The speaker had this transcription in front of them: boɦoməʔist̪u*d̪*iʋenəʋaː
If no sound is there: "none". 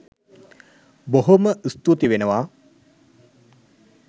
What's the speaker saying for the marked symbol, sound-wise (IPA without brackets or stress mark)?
t̪